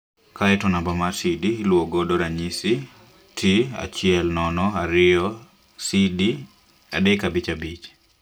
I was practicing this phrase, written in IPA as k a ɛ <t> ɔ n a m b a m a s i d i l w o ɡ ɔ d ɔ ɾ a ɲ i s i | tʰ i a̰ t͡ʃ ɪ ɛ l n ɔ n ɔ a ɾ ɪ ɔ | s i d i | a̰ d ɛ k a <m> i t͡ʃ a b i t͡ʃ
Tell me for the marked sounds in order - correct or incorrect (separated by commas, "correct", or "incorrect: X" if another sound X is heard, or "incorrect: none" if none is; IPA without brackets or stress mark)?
correct, incorrect: b